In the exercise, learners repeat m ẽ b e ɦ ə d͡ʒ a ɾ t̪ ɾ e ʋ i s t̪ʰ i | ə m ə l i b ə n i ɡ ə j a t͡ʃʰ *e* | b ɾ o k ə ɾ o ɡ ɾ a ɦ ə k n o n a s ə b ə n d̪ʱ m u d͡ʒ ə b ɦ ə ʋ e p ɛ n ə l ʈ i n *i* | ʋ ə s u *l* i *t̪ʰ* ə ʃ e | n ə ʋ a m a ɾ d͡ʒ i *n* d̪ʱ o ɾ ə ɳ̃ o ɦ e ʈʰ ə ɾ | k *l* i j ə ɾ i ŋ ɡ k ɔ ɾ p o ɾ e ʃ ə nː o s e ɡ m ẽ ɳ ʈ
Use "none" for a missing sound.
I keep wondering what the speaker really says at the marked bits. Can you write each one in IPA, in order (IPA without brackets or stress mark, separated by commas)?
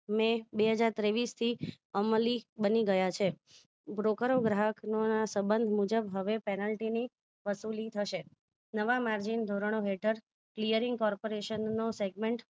e, i, l, t̪ʰ, n, l